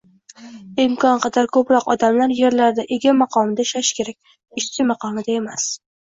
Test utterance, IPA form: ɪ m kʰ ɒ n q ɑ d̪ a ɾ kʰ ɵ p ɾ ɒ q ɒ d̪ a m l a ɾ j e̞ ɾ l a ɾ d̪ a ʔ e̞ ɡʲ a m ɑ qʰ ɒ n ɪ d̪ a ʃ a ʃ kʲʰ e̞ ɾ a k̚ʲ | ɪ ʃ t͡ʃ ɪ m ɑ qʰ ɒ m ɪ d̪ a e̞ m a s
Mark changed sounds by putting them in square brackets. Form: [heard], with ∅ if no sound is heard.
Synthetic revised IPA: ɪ m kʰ ɒ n q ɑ d̪ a ɾ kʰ ɵ p ɾ ɒ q ɒ d̪ a m l a ɾ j e̞ ɾ l a ɾ d̪ a ʔ e̞ ɡʲ a m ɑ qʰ ɒ [m] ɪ d̪ a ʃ a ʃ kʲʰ e̞ ɾ a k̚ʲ | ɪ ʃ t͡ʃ ɪ m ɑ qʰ ɒ m ɪ d̪ a e̞ m a s

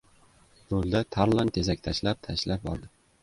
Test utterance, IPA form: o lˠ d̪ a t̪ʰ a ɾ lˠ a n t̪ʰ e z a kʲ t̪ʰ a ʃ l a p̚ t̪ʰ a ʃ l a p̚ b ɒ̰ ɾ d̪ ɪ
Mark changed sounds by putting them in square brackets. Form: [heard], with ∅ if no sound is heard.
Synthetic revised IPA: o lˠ d̪ a t̪ʰ a ɾ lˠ a n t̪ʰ e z a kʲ t̪ʰ a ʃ l a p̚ t̪ʰ a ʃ l a p̚ b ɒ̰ ɾ d̪ ɪ

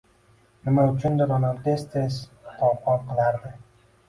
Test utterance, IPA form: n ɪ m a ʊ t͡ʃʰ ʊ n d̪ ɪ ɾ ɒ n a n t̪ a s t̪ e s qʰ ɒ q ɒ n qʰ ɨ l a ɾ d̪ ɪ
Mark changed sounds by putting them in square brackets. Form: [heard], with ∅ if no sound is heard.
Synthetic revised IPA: n ɪ m a ʊ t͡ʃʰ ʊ n d̪ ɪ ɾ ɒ n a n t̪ [e] s t̪ e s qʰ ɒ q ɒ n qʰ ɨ l a ɾ d̪ ɪ

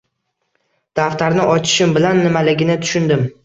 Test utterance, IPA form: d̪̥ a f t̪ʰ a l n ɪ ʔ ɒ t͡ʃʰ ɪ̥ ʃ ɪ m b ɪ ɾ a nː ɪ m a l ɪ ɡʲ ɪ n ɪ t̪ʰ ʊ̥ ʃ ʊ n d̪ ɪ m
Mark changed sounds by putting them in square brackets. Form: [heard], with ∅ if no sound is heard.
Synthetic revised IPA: d̪̥ a f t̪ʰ a [ɾ] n ɪ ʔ ɒ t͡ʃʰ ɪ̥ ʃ ɪ m b ɪ [l] a nː ɪ m a l ɪ ɡʲ ɪ n ɪ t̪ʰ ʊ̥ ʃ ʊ n d̪ ɪ m

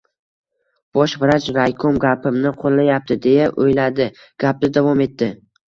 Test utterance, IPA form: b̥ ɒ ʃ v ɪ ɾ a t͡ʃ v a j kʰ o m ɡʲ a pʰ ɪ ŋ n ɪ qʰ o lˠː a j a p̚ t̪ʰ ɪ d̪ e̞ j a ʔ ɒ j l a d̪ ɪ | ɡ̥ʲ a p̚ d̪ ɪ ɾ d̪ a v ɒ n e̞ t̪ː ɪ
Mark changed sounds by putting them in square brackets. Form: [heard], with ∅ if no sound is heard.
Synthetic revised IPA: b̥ ɒ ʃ v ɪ ɾ a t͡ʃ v a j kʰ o m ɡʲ a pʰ ɪ [m] n ɪ qʰ o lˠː a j a p̚ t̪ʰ ɪ d̪ e̞ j a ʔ [o] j l a d̪ ɪ | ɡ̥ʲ a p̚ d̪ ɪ [∅] d̪ a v ɒ [m] e̞ t̪ː ɪ

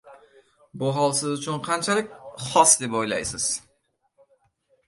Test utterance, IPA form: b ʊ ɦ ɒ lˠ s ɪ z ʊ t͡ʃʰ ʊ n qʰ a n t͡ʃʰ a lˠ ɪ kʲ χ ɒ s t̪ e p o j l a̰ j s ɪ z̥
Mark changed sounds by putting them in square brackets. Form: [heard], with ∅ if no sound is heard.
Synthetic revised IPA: b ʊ ɦ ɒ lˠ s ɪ z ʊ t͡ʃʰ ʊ n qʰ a n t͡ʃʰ a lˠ ɪ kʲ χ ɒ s [d̪] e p o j l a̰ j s ɪ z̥

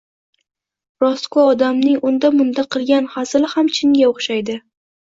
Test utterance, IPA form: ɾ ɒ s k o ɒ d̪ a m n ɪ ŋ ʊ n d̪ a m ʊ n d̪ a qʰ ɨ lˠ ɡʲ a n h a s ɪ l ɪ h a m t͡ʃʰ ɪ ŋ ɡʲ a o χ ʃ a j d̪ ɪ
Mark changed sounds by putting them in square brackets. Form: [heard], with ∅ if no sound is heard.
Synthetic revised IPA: ɾ ɒ s k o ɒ d̪ a m n ɪ ŋ ʊ n d̪ a m ʊ n d̪ a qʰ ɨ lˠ ɡʲ a n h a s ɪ l ɪ h a m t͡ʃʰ ɪ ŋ ɡʲ a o χ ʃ a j d̪ ɪ

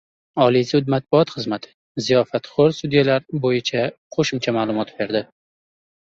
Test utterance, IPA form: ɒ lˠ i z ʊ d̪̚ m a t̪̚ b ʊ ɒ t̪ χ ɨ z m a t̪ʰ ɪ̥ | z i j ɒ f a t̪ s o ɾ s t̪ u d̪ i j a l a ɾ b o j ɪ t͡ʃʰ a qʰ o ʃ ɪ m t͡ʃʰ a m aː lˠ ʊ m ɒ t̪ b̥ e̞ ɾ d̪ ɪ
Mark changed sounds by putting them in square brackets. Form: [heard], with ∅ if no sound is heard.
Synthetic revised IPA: ɒ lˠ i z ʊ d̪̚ m a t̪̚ b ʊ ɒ t̪ χ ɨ z m a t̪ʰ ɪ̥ | z i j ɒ f a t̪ [χ] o ɾ s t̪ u d̪ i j a l a ɾ b o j ɪ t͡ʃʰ a qʰ o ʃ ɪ m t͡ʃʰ a m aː lˠ ʊ m ɒ t̪ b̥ e̞ ɾ d̪ ɪ

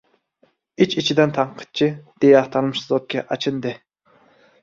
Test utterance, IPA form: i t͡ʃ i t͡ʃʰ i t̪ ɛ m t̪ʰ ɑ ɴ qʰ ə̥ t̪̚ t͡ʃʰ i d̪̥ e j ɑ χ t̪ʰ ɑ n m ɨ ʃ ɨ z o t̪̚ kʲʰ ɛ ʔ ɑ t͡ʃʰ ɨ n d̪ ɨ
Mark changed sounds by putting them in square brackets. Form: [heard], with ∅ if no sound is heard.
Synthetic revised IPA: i t͡ʃ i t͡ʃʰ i [d̪] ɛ [n] t̪ʰ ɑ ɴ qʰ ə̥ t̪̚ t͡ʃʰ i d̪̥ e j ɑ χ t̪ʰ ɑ n m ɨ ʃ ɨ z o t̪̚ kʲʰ ɛ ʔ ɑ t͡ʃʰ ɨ n d̪ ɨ

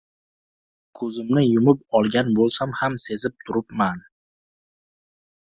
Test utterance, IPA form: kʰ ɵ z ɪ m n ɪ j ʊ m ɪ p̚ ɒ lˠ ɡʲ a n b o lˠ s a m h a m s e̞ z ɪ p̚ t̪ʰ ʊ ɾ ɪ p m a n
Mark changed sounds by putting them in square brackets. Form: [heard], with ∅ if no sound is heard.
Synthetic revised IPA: kʰ ɵ z ɪ m n ɪ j ʊ m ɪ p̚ ɒ lˠ ɡʲ a n b o lˠ s a m h a m s e̞ z ɪ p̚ t̪ʰ ʊ ɾ ɪ p m a n

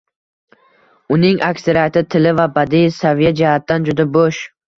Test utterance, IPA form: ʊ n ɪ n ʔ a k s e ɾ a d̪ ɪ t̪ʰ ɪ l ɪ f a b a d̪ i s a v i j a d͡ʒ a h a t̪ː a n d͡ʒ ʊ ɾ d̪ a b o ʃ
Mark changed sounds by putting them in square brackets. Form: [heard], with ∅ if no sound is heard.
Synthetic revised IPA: ʊ n ɪ [ŋ] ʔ a k s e ɾ a [t̪] ɪ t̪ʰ ɪ l ɪ [v] a b a d̪ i s a v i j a d͡ʒ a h a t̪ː a n d͡ʒ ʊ [∅] d̪ a b o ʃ

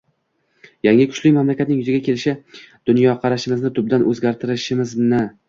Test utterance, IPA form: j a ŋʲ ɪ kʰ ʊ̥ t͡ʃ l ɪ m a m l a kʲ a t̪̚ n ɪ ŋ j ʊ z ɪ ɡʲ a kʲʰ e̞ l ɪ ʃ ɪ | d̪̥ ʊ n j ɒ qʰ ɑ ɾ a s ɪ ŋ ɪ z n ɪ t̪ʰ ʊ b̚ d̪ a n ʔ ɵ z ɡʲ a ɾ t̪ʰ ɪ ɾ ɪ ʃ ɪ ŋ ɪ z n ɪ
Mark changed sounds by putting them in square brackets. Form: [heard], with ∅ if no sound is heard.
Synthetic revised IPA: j a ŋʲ ɪ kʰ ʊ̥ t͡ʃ l ɪ m a m l a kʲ a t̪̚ n ɪ ŋ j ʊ z ɪ ɡʲ a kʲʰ e̞ l ɪ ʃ ɪ | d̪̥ ʊ n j ɒ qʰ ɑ ɾ a [ʃ] ɪ [m] ɪ z n ɪ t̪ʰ ʊ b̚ d̪ a n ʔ ɵ z ɡʲ a ɾ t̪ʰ ɪ ɾ ɪ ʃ ɪ [m] ɪ z n ɪ

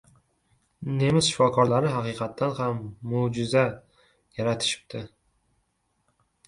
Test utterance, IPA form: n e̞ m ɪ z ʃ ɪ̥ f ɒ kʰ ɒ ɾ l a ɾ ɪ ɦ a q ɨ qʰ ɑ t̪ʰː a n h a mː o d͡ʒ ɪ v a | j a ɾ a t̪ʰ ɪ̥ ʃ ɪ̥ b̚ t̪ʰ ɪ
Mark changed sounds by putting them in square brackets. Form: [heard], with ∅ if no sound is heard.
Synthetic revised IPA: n e̞ m ɪ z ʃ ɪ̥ f ɒ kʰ ɒ ɾ l a ɾ ɪ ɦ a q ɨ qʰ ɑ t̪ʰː a n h a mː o d͡ʒ ɪ [z] a | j a ɾ a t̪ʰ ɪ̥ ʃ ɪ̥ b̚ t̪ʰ ɪ

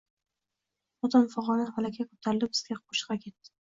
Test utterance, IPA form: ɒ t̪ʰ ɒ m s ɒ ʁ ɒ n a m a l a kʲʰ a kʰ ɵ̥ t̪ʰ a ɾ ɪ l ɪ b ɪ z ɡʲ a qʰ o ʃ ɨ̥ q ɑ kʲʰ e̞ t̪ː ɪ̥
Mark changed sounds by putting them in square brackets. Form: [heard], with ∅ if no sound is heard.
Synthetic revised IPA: ɒ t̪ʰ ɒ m [f] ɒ ʁ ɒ n a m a l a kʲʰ a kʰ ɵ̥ t̪ʰ a ɾ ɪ l ɪ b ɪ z ɡʲ a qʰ o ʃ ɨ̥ q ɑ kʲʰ e̞ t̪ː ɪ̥

